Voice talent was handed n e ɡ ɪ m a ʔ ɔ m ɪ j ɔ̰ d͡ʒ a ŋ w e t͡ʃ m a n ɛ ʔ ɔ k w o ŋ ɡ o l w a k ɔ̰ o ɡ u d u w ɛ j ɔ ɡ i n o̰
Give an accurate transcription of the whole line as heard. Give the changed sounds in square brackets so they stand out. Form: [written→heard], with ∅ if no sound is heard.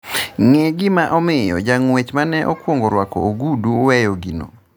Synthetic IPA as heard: [n→ŋ] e ɡ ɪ m a ʔ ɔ m ɪ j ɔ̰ d͡ʒ a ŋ w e t͡ʃ m a n ɛ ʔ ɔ k w o ŋ ɡ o [l→ɾ] w a k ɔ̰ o ɡ u d u w ɛ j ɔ ɡ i n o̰